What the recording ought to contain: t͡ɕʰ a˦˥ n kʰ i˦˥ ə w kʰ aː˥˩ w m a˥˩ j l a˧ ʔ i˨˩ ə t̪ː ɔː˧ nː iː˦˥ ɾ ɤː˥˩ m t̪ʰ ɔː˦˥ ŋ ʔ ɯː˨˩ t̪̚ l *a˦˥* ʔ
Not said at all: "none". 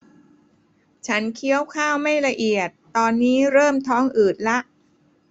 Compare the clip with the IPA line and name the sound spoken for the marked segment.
a˦˥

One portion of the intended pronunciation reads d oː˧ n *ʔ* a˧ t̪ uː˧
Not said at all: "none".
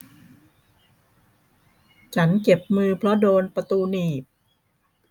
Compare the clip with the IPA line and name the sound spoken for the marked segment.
p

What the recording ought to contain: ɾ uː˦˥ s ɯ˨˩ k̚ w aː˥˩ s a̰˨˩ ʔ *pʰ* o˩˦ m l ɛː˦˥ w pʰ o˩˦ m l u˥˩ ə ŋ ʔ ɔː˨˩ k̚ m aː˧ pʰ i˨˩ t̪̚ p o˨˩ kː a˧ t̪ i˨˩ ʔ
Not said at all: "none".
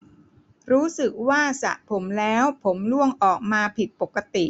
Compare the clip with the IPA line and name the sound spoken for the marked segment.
pʰ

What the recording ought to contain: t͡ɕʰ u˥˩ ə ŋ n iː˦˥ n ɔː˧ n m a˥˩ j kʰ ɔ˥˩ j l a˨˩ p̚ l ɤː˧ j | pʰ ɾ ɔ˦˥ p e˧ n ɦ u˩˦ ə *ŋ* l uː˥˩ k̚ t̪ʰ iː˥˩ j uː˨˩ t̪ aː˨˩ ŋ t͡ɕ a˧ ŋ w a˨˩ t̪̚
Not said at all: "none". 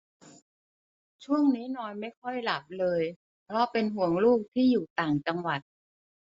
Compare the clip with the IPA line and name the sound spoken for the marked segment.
ŋ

